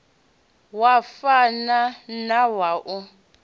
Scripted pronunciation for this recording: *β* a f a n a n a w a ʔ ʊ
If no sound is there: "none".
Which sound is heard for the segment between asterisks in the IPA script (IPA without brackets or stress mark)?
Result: w